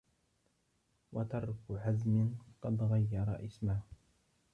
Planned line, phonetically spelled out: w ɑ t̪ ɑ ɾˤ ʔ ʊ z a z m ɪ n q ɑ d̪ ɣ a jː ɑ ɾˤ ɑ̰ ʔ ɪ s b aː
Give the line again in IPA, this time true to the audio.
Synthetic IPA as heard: w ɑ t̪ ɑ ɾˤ k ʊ ʕ a z m ɪ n q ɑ d̪ ɣ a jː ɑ ɾˤ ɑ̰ ʔ ɪ s m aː

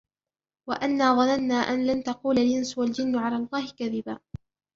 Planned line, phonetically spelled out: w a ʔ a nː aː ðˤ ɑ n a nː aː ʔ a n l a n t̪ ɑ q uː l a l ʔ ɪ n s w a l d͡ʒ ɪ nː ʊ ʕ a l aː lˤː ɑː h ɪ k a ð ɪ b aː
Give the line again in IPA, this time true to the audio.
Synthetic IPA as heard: w a ʔ a nː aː ðˤ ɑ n a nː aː ʔ a n l a n t̪ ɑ q uː l a l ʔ ɪ n s w a l d͡ʒ ɪ nː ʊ ʕ a l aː lˤː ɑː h ɪ k a ð ɪ b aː

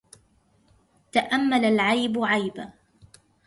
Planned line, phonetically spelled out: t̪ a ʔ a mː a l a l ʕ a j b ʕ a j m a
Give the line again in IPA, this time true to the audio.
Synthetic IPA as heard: t̪ a ʔ a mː a l a l ʕ a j b ʕ a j b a

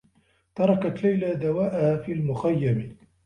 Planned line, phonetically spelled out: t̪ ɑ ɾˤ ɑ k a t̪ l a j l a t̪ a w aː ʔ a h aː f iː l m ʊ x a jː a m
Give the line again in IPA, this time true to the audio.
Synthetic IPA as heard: t̪ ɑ ɾˤ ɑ k a t̪ l a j l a d̪ a w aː ʔ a h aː f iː l m ʊ x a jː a m

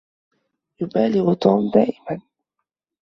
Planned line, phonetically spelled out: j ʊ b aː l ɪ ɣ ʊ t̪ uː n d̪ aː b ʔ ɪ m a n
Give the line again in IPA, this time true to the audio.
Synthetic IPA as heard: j ʊ b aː l ɪ ɣ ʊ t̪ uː m d̪ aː ʔ ɪ m a n

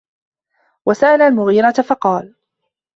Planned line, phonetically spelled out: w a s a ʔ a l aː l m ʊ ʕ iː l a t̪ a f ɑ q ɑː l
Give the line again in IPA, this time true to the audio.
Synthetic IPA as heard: w a s a ʔ a l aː l m ʊ ɣ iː ɾ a t̪ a f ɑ q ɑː l

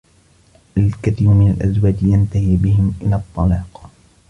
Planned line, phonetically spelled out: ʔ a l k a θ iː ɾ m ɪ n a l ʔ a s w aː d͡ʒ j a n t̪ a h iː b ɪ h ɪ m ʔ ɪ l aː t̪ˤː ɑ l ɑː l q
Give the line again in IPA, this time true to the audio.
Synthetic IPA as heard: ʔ a l k a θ iː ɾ m ɪ n a l ʔ a z w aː d͡ʒ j a n t̪ a h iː b ɪ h ɪ m ʔ ɪ l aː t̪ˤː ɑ l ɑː q

